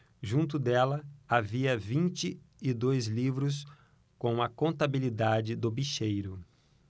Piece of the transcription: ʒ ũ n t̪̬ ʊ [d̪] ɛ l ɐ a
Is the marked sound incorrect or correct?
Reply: correct